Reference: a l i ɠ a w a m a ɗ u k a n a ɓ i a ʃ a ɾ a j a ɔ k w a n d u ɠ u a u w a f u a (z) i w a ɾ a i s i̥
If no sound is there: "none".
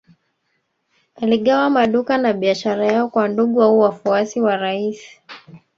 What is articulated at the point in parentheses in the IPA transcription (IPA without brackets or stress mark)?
s